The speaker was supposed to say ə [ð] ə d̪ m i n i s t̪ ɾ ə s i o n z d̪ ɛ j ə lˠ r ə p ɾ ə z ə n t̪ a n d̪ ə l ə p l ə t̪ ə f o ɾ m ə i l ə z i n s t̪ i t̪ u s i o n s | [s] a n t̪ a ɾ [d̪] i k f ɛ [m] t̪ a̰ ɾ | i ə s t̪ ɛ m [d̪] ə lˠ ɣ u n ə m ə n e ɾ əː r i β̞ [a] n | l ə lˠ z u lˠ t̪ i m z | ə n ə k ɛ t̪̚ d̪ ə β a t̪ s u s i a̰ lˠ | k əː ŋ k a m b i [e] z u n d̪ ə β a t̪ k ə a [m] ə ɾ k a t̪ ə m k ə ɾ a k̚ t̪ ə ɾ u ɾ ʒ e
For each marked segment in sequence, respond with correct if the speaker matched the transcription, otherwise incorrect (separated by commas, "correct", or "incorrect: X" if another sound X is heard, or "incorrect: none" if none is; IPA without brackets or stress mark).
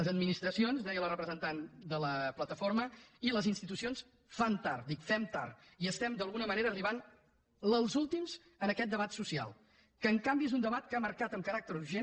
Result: incorrect: z, incorrect: f, correct, correct, correct, correct, correct, correct